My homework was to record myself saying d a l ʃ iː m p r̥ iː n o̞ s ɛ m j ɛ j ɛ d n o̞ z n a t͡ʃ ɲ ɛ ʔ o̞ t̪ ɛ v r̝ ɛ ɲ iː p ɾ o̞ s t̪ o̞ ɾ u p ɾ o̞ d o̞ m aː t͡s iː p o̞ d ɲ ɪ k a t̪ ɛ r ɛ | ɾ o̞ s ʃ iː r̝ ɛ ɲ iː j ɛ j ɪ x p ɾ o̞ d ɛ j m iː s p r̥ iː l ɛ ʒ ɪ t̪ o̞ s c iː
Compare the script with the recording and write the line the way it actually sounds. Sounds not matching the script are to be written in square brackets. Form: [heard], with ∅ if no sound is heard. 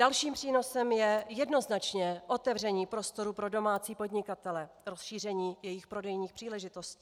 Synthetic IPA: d a l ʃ iː m p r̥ iː n o̞ s ɛ m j ɛ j ɛ d n o̞ z n a t͡ʃ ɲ ɛ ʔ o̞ t̪ ɛ v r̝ ɛ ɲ iː p ɾ o̞ s t̪ o̞ ɾ u p ɾ o̞ d o̞ m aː t͡s iː p o̞ d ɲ ɪ k a t̪ ɛ [l] ɛ | ɾ o̞ s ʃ iː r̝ ɛ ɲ iː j ɛ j ɪ x p ɾ o̞ d ɛ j [ɲ] iː [x] p r̥ iː l ɛ ʒ ɪ t̪ o̞ s c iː